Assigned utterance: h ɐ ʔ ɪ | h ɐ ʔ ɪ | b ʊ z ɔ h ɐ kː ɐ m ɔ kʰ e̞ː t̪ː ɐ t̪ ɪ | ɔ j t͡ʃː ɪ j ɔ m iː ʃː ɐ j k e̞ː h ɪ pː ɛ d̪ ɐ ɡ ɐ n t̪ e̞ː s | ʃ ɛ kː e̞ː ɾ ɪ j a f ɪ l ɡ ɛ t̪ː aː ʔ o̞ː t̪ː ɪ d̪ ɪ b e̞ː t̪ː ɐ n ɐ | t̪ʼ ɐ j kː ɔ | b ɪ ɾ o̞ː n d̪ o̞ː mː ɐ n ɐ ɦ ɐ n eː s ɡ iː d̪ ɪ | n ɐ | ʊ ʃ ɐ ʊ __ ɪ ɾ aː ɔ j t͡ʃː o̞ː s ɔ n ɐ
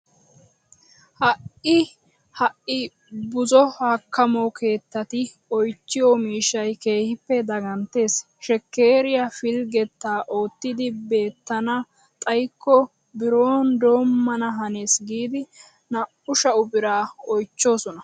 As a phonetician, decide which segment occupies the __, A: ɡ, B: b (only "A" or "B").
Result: B